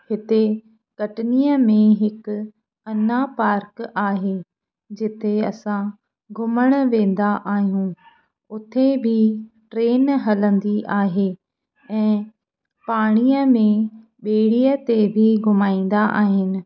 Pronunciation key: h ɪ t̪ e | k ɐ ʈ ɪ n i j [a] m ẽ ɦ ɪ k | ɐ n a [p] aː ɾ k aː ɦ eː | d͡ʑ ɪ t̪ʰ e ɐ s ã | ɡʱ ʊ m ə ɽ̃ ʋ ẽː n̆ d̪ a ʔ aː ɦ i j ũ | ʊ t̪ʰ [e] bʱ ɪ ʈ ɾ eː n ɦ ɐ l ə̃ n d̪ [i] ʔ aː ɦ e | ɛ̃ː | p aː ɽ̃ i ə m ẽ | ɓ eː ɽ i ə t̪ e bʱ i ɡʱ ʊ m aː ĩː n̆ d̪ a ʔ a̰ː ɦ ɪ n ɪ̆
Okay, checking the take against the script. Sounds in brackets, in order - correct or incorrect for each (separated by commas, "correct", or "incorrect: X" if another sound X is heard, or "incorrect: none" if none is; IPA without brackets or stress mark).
incorrect: ə, correct, correct, correct